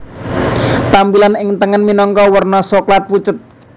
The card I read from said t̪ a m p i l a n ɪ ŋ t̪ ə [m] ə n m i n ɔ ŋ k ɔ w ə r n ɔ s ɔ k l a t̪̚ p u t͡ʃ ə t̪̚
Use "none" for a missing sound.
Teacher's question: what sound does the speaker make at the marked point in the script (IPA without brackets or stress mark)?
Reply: ŋ